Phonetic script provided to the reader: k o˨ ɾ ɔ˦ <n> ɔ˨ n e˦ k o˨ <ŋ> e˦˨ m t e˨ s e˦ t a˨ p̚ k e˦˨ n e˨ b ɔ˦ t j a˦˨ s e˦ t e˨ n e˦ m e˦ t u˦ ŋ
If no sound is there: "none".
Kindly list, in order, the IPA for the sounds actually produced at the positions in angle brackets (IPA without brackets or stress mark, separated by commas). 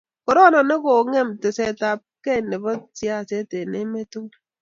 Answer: n, ŋ